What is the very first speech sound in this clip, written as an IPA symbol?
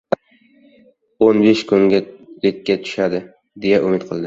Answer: o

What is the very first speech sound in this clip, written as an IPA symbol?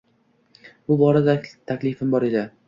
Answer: b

